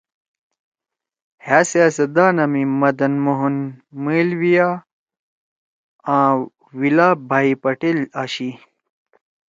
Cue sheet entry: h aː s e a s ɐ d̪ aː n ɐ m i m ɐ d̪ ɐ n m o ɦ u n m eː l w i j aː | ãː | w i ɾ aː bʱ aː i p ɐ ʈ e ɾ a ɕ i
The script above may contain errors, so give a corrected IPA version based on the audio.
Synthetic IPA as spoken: h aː s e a s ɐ d̪ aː n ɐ m i m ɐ d̪ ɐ n m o ɦ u n m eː l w i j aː | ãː | w i l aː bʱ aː i p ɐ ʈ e l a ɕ i

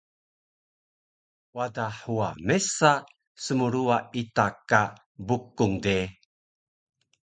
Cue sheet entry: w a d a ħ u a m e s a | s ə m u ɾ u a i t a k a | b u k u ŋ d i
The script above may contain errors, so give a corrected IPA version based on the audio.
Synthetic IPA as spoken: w a d a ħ u a m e s a | s ə m u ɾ u a i t a k a | b u k u ŋ d e

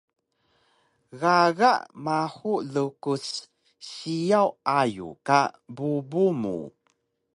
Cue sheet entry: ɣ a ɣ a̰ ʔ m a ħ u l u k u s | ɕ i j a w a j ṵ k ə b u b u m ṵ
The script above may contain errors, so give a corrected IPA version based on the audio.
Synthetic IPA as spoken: ɣ a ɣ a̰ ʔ m a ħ u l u k u s | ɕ i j a w a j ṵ k a b u b u m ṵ

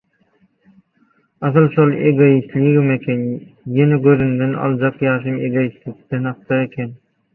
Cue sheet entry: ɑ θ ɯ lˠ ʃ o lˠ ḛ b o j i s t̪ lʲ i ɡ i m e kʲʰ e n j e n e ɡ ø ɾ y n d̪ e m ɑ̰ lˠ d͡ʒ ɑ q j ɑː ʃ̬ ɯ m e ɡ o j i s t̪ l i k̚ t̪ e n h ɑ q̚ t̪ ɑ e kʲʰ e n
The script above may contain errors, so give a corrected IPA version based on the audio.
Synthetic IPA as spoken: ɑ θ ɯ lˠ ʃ o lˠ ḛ ɡ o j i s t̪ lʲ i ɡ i m e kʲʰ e n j e n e ɡ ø ɾ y n d̪ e n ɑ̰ lˠ d͡ʒ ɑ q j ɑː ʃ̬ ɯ m e ɡ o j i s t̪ l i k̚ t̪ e n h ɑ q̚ t̪ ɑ e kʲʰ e n

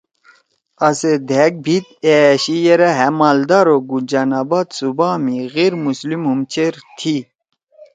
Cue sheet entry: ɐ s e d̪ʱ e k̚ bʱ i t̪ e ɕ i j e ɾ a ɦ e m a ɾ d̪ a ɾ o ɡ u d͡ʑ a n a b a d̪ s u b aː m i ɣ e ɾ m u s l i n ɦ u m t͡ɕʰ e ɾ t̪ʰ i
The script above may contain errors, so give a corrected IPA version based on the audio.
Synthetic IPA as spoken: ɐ s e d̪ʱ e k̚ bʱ i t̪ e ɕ i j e ɾ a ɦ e m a l d̪ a ɾ o ɡ u d͡ʑ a n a b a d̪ s u b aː m i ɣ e ɾ m u s l i m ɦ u m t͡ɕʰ e ɾ t̪ʰ i

